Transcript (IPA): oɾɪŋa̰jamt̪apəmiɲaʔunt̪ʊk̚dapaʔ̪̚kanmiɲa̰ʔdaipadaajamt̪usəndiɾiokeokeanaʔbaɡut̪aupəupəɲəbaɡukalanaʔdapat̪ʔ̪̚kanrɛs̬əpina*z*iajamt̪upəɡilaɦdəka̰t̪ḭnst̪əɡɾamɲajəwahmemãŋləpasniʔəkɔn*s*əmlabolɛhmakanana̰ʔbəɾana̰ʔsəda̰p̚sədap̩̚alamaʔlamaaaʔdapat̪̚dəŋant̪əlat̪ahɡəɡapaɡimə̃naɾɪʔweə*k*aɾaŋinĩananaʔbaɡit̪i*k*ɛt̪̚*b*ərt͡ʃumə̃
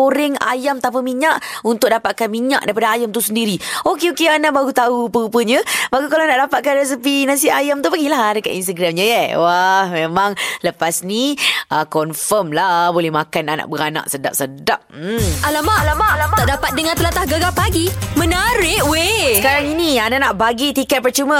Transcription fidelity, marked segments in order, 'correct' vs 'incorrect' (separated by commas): incorrect, incorrect, correct, correct, incorrect